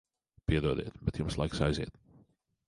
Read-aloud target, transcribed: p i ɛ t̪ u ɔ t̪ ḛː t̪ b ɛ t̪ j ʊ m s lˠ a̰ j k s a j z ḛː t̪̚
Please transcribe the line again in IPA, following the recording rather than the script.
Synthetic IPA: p i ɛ d̪ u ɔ d̪ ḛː t̪ b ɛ t̪ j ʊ m s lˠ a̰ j k s a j z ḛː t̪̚